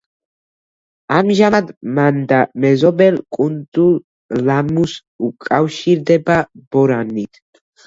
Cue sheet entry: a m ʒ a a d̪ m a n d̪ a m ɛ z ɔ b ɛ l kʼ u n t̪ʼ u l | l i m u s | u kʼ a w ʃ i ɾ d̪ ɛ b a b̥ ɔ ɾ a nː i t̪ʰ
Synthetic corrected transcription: a m ʒ a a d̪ m a n d̪ a m ɛ z ɔ b ɛ l kʼ u n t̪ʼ u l | l a m u s | u kʼ a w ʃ i ɾ d̪ ɛ b a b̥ ɔ ɾ a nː i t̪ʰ